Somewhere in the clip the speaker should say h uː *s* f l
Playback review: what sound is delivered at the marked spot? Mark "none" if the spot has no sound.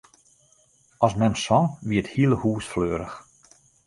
s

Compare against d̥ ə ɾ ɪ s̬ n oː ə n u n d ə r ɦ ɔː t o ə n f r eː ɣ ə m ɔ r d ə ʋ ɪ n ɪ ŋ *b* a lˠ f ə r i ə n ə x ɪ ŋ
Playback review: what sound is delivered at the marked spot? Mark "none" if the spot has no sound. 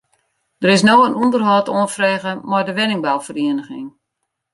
b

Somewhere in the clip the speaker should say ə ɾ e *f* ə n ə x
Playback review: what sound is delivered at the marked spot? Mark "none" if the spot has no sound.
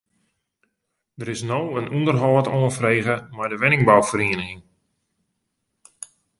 none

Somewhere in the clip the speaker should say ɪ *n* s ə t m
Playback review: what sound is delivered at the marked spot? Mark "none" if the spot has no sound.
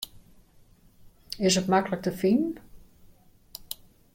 none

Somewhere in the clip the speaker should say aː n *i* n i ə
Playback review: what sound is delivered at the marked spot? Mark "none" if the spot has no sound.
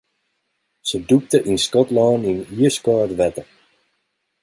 i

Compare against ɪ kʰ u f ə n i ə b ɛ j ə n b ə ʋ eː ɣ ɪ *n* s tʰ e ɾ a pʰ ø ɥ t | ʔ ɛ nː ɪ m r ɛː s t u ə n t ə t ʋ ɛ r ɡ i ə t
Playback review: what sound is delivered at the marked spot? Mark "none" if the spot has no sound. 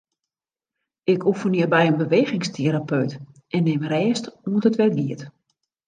ŋ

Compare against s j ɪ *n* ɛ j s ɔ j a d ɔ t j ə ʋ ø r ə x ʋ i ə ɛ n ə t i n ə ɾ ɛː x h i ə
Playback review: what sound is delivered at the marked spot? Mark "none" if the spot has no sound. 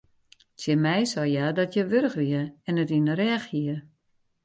m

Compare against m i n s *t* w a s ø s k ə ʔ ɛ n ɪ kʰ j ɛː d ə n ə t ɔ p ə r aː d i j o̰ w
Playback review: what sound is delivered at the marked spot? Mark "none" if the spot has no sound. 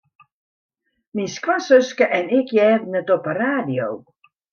k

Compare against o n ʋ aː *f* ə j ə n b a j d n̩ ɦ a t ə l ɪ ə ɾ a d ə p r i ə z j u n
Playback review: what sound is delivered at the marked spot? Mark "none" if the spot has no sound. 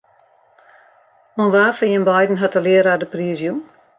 f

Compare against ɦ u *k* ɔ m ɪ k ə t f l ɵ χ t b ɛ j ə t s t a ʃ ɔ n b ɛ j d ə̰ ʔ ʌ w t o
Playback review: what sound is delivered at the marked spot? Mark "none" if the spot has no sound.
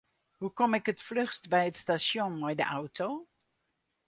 k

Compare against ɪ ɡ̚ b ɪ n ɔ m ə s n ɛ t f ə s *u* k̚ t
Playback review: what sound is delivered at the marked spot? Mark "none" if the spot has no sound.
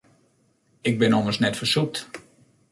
u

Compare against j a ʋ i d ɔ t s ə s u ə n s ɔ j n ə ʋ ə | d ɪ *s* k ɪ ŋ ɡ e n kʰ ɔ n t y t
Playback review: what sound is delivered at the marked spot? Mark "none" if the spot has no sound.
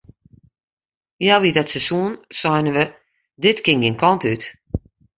t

